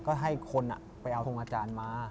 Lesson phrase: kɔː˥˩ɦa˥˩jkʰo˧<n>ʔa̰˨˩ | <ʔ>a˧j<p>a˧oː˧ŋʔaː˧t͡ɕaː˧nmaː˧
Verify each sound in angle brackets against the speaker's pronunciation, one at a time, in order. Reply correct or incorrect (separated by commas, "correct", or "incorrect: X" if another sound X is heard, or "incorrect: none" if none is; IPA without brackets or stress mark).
correct, incorrect: p, incorrect: ʔ